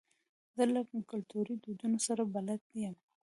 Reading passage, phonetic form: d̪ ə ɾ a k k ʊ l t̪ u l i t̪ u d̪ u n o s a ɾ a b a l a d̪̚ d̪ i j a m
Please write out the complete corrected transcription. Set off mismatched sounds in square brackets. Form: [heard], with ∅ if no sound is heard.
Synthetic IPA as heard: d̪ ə [l] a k k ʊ l t̪ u [ɾ] i [d̪] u d̪ u n o s a ɾ a b a l a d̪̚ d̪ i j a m